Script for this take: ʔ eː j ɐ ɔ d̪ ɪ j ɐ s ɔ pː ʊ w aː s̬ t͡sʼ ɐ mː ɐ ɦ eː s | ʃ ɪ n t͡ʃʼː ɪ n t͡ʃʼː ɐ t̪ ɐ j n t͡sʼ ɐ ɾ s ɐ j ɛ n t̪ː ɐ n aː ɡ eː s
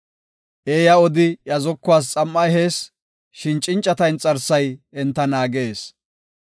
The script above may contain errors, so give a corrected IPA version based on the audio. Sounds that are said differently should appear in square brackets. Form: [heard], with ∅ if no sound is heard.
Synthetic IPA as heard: ʔ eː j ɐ ɔ d̪ ɪ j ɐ [z] ɔ [kː] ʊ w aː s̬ t͡sʼ ɐ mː ɐ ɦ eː s | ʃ ɪ n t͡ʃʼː ɪ n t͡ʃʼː ɐ t̪ ɐ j n t͡sʼ ɐ ɾ s ɐ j ɛ n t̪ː ɐ n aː ɡ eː s